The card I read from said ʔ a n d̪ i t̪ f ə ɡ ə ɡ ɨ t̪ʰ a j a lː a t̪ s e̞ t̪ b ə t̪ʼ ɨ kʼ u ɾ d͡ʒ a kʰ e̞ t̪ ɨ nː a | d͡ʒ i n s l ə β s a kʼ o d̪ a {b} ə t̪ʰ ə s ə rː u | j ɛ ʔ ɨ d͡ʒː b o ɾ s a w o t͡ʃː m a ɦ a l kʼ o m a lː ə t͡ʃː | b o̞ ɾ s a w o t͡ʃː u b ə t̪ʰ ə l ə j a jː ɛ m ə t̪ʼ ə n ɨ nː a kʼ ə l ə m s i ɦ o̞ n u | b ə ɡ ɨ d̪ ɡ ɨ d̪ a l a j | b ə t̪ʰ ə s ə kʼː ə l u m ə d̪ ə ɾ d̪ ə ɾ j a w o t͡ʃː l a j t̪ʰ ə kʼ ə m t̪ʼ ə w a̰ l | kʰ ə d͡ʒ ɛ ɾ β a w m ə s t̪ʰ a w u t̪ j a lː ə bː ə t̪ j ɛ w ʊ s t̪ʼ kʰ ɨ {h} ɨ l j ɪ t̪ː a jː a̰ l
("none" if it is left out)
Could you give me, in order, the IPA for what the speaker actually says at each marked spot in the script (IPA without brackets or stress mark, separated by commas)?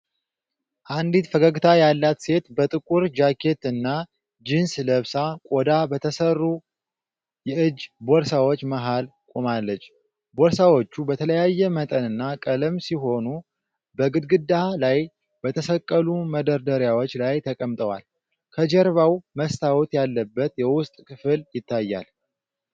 b, f